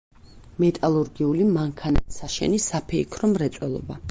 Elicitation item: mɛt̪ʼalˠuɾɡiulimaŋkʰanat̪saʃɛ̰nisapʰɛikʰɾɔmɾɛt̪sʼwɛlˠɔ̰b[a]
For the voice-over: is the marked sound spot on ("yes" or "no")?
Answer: yes